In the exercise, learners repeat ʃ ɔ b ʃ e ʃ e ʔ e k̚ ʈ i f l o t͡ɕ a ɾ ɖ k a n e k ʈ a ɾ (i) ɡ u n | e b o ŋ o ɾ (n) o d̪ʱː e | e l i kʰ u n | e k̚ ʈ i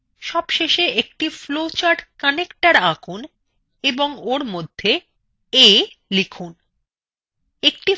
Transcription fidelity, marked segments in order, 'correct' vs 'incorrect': incorrect: a, incorrect: m

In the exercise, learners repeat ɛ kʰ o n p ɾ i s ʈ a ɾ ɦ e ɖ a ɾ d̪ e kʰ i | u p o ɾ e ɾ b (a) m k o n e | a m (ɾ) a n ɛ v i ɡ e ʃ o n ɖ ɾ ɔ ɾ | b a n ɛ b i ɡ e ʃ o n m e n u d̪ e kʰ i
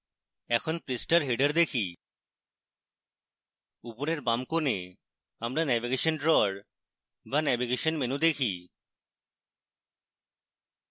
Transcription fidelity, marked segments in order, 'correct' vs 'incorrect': correct, correct

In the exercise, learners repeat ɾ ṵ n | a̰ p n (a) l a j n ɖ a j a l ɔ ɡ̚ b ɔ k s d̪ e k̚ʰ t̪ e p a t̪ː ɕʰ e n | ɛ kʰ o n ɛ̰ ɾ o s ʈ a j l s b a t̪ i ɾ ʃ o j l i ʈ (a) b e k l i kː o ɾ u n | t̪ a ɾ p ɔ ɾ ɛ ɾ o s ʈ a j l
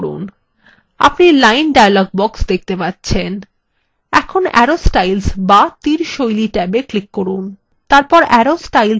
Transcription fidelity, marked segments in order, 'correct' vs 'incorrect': incorrect: i, incorrect: ɛ

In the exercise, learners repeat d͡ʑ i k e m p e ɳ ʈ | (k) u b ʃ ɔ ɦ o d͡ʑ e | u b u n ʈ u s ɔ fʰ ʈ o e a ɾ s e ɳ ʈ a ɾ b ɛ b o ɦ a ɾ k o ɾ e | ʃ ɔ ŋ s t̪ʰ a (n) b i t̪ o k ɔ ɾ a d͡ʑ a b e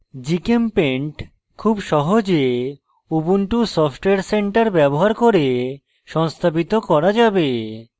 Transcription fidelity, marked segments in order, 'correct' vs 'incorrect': incorrect: kʰ, incorrect: none

